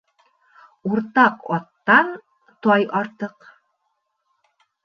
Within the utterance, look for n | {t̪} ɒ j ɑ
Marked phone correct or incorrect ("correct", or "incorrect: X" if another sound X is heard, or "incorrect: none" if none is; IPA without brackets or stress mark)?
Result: correct